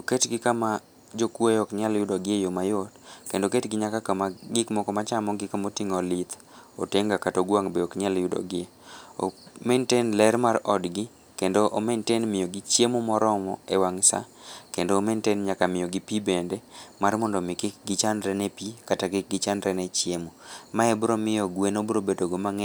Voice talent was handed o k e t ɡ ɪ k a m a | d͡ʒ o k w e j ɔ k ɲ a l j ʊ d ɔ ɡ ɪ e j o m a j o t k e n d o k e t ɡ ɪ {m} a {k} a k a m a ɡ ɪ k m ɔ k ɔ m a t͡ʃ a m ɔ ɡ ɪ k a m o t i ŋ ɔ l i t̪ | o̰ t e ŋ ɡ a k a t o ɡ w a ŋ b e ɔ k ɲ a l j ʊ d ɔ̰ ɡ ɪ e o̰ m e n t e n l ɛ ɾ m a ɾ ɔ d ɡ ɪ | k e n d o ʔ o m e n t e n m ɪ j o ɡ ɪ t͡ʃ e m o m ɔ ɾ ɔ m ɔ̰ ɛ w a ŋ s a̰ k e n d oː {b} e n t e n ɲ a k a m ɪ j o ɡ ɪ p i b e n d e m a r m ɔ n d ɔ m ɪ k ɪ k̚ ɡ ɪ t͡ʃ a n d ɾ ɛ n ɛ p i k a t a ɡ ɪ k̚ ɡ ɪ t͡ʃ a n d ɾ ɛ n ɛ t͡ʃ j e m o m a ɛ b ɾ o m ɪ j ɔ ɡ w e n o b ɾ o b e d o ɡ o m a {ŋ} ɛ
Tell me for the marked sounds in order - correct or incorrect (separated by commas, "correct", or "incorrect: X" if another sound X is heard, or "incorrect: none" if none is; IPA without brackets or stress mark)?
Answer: incorrect: ɲ, correct, incorrect: m, correct